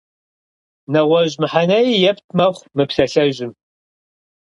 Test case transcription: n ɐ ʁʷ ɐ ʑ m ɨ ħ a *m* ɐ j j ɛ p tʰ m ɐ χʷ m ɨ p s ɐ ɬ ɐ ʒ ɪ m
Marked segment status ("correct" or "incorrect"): incorrect